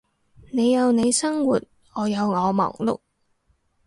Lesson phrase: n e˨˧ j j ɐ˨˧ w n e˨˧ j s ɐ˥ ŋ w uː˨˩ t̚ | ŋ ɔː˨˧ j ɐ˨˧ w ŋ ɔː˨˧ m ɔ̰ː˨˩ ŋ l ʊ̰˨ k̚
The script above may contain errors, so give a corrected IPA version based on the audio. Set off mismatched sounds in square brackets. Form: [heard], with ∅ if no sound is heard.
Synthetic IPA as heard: n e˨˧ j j ɐ˨˧ w n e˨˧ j s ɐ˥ ŋ w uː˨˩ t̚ | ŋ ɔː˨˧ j ɐ˨˧ w ŋ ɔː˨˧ m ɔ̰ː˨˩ ŋ l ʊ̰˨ k̚